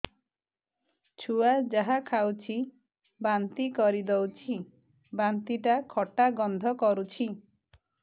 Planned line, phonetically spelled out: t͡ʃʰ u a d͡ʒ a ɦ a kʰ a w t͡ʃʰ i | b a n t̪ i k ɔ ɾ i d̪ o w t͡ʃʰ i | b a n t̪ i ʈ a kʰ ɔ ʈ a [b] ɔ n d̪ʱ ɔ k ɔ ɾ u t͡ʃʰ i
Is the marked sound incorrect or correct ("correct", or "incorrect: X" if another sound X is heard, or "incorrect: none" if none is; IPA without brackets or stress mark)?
incorrect: ɡ